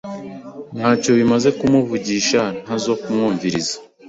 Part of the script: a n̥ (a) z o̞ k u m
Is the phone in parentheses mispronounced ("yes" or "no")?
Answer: no